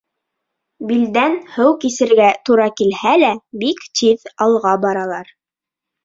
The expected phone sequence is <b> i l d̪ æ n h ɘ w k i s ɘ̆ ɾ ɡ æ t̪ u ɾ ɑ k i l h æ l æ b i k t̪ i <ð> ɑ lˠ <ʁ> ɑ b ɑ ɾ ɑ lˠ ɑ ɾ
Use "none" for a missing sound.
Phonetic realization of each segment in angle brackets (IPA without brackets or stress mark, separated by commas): b, ð, ʁ